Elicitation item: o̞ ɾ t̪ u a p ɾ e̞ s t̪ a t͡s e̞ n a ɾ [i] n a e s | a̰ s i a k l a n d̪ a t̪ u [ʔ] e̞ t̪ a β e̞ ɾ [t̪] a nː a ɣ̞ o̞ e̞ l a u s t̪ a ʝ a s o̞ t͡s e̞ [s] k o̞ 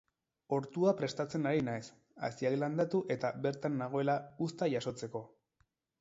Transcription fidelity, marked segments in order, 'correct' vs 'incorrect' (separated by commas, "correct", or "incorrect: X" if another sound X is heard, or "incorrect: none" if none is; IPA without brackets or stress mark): correct, correct, correct, incorrect: none